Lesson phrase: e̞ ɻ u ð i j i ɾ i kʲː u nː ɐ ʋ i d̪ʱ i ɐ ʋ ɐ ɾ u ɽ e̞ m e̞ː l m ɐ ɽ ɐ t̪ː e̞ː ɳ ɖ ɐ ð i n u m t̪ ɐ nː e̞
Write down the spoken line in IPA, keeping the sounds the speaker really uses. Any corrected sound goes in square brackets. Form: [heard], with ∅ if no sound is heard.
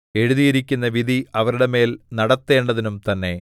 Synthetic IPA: e̞ ɻ u ð i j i ɾ i kʲː u nː ɐ ʋ i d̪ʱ i ɐ ʋ ɐ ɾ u ɽ e̞ m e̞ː l [n] ɐ ɽ ɐ t̪ː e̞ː ɳ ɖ ɐ ð i n u m t̪ ɐ nː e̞